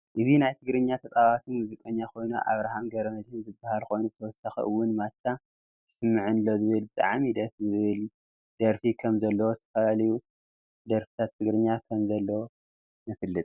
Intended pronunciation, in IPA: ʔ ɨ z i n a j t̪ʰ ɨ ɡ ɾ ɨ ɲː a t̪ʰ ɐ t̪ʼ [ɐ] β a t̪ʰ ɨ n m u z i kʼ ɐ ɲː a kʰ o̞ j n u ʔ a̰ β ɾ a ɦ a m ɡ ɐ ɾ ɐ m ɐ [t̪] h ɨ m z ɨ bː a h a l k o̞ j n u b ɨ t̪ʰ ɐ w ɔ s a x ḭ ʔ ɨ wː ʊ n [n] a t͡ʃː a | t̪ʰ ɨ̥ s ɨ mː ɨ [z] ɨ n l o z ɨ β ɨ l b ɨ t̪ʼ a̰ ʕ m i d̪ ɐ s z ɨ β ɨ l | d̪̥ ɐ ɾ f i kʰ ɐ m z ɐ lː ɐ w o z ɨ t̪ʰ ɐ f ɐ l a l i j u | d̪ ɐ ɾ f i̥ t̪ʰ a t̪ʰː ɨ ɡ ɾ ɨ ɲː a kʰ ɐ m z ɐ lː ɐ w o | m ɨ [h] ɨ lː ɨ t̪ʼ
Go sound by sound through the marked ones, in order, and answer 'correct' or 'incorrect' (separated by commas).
incorrect, incorrect, incorrect, incorrect, incorrect